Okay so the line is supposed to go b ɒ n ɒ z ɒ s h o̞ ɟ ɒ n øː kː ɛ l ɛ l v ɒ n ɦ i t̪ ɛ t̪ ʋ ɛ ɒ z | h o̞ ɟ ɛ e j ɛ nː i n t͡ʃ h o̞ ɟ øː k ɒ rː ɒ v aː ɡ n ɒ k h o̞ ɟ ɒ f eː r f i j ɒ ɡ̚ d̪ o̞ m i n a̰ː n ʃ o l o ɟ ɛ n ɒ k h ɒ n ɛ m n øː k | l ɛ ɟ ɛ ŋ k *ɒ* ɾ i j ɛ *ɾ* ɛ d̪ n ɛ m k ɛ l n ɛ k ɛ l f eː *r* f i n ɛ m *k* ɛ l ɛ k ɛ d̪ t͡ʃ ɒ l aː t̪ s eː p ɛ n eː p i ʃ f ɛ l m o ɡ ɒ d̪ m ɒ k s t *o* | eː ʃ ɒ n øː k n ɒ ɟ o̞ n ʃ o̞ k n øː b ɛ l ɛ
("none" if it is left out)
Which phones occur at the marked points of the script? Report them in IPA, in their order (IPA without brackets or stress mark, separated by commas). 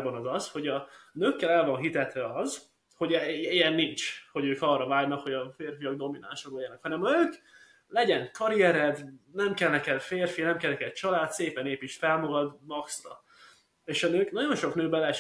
ɒ, ɾ, r, k, ɒ